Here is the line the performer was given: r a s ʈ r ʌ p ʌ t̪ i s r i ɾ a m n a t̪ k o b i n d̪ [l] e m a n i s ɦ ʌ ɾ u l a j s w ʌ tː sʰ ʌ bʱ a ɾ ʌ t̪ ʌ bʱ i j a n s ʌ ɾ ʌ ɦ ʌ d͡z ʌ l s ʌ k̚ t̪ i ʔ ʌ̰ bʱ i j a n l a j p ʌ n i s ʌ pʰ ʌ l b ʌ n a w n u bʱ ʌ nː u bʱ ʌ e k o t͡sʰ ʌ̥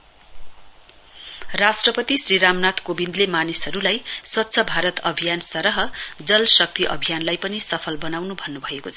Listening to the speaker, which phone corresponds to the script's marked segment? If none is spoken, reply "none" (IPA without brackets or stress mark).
l